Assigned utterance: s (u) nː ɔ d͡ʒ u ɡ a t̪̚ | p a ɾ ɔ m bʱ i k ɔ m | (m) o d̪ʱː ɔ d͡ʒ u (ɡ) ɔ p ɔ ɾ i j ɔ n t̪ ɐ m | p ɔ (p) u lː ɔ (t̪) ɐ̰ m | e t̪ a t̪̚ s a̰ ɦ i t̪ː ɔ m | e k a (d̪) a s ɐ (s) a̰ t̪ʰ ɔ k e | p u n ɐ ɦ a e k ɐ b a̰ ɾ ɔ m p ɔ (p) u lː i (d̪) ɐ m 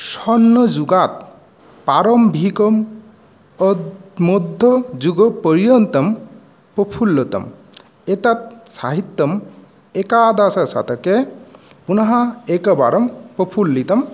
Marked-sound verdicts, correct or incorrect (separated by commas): incorrect, correct, correct, incorrect, correct, correct, correct, incorrect, incorrect